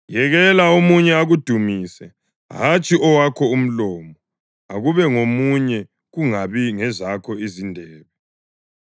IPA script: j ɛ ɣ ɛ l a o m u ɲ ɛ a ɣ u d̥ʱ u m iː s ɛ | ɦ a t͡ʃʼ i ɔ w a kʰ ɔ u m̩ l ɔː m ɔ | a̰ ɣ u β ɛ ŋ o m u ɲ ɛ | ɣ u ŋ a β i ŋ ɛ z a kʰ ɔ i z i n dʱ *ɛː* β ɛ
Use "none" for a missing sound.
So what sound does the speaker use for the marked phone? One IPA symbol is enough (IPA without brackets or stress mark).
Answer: ɛː